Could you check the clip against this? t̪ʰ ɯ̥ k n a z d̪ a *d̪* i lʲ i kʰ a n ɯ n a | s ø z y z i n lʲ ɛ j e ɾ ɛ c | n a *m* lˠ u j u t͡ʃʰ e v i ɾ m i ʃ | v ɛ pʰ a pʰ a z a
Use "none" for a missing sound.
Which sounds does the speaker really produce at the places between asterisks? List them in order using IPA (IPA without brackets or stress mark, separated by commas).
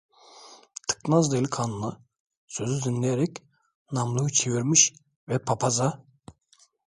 none, m